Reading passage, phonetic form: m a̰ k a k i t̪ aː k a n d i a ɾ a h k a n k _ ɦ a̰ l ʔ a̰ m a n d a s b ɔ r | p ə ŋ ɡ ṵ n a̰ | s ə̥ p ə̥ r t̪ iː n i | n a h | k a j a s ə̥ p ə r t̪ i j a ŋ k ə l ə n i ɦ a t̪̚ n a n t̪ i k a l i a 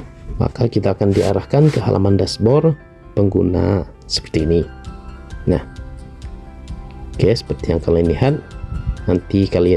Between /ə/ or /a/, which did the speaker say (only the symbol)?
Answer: ə